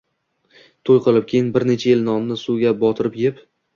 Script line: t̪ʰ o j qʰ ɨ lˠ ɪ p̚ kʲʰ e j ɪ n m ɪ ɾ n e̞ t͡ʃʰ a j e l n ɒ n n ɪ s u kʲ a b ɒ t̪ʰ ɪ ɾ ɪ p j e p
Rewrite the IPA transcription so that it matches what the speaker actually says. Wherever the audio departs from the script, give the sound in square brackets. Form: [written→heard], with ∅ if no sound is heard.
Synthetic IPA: t̪ʰ o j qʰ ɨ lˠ ɪ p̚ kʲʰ e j ɪ n [m→b] ɪ ɾ n e̞ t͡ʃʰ a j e l n ɒ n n ɪ s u [kʲ→ɡʲ] a b ɒ t̪ʰ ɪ ɾ ɪ p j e p